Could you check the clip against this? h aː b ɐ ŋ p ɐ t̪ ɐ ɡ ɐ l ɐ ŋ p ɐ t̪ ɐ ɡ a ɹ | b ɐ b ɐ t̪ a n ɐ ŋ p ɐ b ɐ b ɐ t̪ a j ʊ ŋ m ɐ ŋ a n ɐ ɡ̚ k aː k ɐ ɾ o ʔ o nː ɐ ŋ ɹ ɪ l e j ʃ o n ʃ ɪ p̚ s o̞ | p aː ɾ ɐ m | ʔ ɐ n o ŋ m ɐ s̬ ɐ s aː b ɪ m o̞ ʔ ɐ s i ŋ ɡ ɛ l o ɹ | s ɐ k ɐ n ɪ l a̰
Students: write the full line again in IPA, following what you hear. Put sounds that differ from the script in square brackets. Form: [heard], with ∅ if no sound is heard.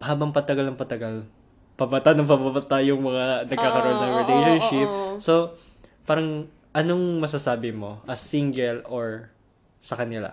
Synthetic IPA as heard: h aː b ɐ ŋ p ɐ t̪ ɐ ɡ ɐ l ɐ ŋ p ɐ t̪ ɐ ɡ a [l] | [p] ɐ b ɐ t̪ a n ɐ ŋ p ɐ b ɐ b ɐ t̪ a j ʊ ŋ m ɐ ŋ a n ɐ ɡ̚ k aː k ɐ ɾ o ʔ o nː ɐ ŋ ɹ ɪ l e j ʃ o n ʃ ɪ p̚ s o̞ | p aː ɾ ɐ [ŋ] | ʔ ɐ n o ŋ m ɐ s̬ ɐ s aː b ɪ m o̞ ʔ ɐ s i ŋ ɡ ɛ l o ɹ | s ɐ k ɐ n ɪ l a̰